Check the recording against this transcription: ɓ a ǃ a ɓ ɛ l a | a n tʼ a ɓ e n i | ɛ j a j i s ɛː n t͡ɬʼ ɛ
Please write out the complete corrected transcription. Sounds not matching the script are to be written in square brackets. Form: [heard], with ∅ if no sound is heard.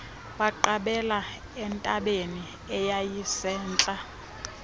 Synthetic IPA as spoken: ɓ a ǃ a ɓ ɛ l a | [ɛ] n tʼ a ɓ e n i | ɛ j a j i s ɛː n t͡ɬʼ [a]